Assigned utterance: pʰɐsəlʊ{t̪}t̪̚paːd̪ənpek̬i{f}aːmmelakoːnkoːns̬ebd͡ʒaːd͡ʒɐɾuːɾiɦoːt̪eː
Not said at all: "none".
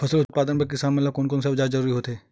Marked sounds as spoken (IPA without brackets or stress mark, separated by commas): t̪, s